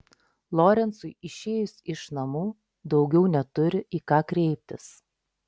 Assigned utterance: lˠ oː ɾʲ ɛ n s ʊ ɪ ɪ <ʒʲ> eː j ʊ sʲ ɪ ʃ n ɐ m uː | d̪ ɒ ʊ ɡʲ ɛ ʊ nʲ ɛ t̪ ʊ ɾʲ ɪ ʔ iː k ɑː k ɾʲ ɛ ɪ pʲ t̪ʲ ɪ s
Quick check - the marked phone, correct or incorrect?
incorrect